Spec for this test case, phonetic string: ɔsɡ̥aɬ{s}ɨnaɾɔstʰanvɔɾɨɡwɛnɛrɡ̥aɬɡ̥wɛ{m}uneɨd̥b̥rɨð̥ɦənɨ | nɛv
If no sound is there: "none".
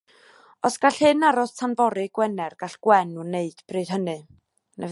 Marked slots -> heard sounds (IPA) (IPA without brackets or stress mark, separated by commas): h, n